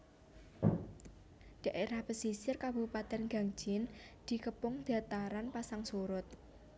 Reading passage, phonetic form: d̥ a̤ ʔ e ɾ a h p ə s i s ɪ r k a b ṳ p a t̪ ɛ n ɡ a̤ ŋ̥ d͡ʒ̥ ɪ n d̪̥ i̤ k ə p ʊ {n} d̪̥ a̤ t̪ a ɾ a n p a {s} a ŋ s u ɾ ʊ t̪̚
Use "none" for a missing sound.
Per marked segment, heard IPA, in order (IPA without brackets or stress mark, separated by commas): ŋ, s